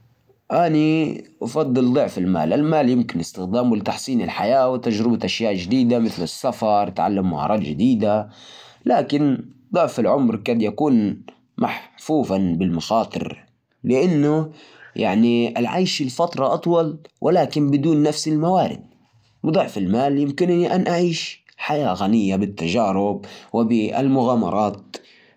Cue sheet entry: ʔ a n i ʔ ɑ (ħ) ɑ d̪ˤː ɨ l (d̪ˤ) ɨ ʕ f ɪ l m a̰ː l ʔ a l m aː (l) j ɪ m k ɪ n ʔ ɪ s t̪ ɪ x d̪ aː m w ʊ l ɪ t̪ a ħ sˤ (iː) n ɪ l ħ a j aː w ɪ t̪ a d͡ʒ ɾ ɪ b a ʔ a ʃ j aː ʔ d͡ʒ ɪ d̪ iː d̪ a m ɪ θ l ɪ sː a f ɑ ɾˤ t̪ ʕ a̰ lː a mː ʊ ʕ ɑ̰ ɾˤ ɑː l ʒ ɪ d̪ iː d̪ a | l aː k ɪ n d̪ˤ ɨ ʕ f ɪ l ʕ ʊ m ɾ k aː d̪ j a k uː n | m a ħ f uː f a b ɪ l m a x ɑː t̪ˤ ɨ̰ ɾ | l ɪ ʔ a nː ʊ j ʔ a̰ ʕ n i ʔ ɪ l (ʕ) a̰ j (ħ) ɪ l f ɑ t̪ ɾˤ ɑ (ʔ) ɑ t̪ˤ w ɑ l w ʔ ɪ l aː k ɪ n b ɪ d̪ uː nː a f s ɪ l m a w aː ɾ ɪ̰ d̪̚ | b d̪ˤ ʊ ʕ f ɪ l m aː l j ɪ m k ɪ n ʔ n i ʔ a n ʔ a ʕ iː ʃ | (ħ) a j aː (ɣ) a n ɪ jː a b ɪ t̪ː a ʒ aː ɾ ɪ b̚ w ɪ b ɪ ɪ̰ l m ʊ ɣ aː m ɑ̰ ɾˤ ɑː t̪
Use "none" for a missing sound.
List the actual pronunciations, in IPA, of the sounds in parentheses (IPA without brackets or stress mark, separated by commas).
f, d̪ˤ, l, iː, ʕ, ʃ, ʔ, ħ, ɣ